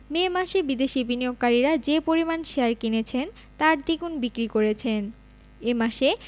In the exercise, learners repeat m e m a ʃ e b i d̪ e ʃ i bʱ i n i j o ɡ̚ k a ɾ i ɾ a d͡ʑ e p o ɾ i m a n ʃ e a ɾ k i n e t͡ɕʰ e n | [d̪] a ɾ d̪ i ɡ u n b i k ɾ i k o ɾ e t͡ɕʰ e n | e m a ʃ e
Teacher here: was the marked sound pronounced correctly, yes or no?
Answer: no